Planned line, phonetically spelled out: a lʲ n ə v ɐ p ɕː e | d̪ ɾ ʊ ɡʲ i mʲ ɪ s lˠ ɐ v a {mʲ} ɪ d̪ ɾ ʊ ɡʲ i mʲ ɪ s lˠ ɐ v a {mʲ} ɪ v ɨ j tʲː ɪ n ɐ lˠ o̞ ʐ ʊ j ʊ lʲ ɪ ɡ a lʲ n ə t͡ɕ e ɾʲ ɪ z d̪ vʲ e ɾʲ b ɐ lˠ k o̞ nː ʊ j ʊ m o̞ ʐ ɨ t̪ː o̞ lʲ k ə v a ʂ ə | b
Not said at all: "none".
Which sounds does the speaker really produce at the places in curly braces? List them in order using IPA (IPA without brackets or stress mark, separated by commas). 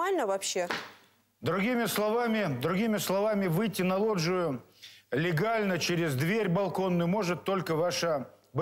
mʲ, mʲ